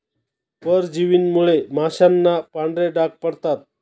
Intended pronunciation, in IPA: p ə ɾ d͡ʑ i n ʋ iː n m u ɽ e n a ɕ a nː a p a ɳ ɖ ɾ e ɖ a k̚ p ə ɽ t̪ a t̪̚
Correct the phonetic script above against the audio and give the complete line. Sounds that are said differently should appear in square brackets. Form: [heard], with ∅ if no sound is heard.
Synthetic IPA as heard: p ə ɾ d͡ʑ i [∅] ʋ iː n m u [ɭ] e [m] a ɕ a nː a p a ɳ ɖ ɾ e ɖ a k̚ p ə ɽ t̪ a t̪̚